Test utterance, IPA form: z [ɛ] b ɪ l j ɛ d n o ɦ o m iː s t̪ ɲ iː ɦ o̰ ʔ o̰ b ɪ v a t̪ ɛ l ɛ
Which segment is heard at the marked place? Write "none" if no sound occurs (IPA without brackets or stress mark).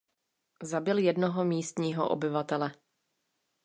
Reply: a